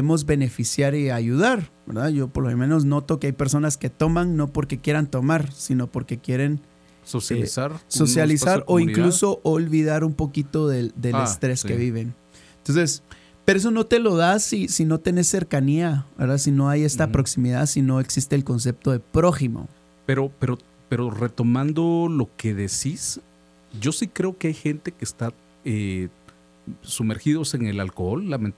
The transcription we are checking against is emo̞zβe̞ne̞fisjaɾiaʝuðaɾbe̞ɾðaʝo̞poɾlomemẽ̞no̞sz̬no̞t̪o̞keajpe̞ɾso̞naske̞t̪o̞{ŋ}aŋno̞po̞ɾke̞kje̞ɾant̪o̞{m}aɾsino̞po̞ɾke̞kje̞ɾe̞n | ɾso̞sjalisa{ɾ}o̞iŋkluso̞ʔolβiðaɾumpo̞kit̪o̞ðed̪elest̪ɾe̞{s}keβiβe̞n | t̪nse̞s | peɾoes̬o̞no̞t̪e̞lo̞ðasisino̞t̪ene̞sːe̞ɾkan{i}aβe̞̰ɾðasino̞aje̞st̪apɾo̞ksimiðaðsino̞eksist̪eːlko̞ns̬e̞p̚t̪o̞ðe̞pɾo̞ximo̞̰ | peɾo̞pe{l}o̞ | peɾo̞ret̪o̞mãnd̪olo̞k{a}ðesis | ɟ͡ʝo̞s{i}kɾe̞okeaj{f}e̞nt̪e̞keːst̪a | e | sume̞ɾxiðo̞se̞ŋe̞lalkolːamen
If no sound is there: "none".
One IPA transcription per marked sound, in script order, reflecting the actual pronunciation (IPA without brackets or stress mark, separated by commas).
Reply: m, m, ɾ, s, i, ɾ, e, i, x